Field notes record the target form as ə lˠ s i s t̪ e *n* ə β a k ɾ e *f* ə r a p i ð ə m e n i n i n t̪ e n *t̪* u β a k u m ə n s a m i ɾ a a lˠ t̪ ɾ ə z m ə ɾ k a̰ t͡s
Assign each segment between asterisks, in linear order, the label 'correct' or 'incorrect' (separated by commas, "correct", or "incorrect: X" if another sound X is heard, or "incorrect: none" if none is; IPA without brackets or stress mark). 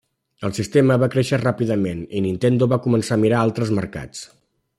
incorrect: m, incorrect: ʃ, incorrect: d̪